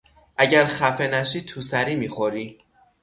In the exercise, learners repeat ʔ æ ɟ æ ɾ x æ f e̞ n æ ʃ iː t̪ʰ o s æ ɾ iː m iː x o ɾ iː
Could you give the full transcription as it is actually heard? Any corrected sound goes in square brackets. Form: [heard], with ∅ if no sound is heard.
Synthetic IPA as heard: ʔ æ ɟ æ ɾ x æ f e̞ n æ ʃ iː t̪ʰ [u] s æ ɾ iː m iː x o ɾ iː